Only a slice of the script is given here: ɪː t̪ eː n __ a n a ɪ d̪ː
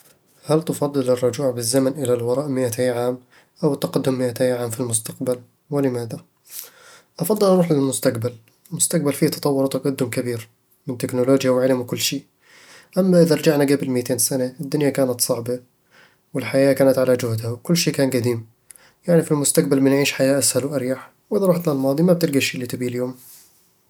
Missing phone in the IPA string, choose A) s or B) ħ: A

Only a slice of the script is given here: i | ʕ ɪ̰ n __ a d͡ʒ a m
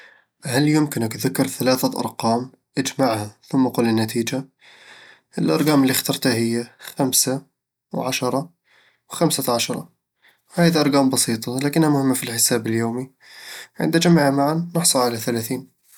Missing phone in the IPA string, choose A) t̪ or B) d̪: B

